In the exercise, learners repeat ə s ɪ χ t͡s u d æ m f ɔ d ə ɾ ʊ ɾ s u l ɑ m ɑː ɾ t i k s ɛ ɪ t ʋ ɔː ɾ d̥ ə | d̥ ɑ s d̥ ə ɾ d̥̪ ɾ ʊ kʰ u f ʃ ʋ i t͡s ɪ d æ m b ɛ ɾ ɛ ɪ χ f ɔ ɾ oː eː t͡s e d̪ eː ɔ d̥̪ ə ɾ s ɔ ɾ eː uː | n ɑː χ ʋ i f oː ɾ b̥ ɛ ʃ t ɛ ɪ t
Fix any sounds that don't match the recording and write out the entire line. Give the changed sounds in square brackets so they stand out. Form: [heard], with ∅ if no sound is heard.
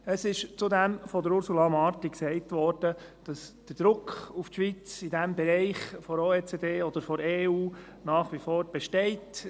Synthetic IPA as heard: ə s ɪ [ʃ] t͡s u d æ m f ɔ d ə ɾ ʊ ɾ s u l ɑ m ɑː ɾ t i k s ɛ ɪ t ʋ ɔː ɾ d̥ ə | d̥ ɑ s d̥ ə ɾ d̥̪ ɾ ʊ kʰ u f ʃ ʋ i t͡s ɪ d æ m b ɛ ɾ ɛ ɪ χ f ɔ ɾ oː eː t͡s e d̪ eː ɔ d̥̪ ə ɾ [f] ɔ ɾ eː uː | n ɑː χ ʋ i f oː ɾ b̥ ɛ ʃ t ɛ ɪ t